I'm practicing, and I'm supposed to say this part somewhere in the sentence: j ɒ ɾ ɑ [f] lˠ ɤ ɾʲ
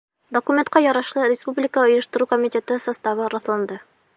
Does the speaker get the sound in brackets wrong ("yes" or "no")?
yes